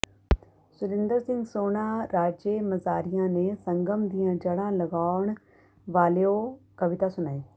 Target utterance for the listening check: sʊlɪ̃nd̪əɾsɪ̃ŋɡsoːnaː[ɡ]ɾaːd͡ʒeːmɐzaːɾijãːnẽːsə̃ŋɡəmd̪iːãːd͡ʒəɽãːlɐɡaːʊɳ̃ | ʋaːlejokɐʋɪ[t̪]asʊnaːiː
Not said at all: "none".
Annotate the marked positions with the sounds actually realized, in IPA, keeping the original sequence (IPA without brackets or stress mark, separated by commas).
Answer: none, t̪